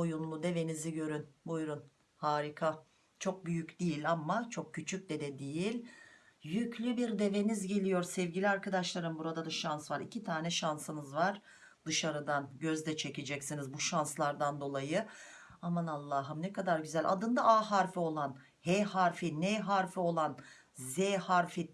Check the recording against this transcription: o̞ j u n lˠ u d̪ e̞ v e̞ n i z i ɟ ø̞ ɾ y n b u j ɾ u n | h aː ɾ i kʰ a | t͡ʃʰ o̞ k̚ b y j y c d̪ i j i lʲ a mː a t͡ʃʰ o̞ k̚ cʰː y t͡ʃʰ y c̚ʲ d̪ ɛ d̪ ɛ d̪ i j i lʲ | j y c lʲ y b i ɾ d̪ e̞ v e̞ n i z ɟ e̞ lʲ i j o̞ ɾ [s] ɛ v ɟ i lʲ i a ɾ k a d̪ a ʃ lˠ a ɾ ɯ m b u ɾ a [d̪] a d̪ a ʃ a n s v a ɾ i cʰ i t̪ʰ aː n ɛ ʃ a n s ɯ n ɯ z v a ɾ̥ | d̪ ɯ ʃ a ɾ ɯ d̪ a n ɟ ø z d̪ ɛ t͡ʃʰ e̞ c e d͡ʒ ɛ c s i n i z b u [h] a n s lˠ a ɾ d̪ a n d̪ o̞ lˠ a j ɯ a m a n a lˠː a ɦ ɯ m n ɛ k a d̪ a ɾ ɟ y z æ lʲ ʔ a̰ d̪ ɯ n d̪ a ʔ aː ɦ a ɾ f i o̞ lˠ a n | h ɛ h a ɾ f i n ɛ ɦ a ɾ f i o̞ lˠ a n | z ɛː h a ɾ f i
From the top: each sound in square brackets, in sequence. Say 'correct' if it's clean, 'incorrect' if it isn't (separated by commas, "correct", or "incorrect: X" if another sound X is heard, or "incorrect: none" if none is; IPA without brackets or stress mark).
correct, correct, incorrect: ʃ